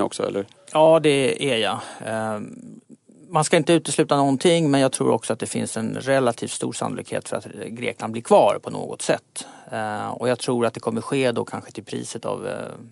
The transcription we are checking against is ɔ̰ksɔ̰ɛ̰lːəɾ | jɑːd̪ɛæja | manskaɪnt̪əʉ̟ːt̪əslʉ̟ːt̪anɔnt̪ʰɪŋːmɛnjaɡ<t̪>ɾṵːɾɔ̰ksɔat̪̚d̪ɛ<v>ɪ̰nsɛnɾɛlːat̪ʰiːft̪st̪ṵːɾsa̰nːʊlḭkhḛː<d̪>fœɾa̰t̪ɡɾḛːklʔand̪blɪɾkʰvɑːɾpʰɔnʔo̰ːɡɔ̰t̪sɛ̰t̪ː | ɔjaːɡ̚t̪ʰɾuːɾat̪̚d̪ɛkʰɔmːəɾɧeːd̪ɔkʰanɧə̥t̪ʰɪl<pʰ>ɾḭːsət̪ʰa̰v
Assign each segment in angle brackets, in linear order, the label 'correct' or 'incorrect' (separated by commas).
incorrect, incorrect, incorrect, correct